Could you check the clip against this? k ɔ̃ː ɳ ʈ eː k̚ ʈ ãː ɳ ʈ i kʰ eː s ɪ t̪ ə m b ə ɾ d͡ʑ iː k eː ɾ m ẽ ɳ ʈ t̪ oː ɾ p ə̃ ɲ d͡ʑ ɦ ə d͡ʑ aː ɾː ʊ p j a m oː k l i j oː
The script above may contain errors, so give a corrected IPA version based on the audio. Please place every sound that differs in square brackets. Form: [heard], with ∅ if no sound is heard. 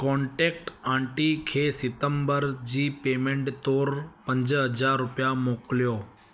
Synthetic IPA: k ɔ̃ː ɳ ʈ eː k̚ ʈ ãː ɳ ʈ i kʰ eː s ɪ t̪ ə m b ə ɾ d͡ʑ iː [p] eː [∅] m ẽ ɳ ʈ t̪ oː ɾ p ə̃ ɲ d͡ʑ ɦ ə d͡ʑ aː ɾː ʊ p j a m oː k l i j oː